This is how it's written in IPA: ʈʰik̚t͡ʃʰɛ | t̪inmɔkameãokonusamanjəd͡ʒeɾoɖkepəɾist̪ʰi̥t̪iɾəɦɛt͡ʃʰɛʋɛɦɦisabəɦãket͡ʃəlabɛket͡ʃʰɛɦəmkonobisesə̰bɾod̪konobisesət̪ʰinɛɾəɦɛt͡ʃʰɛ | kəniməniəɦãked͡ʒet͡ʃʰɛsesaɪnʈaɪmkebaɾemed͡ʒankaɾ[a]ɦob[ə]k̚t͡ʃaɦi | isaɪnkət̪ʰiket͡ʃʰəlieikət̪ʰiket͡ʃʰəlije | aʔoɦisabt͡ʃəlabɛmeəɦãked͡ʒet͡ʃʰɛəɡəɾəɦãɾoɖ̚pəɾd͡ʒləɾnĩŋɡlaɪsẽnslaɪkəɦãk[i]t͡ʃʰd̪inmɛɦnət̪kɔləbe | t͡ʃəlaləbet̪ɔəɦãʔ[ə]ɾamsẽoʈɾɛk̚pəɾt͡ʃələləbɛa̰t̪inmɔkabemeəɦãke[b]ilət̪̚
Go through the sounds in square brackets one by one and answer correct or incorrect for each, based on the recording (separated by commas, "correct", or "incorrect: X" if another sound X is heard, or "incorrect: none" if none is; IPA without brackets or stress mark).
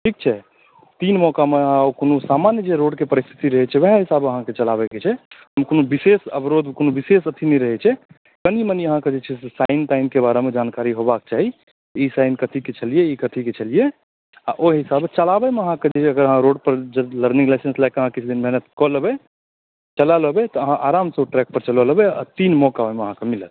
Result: incorrect: i, incorrect: a, correct, incorrect: a, incorrect: m